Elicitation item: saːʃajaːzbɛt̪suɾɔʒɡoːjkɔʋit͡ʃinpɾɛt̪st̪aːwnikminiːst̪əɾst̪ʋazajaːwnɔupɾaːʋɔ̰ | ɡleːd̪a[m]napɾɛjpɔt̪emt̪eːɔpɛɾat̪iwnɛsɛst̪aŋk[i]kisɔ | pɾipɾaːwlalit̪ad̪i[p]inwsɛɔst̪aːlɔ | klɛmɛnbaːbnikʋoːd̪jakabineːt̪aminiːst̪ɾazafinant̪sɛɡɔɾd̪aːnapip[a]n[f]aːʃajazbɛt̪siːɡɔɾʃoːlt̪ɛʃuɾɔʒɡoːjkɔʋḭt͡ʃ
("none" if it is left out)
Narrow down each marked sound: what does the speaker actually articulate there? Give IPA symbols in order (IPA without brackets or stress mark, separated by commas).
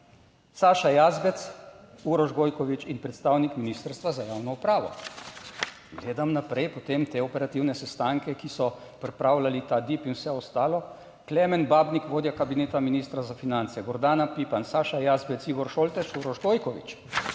m, ɛ, p, a, s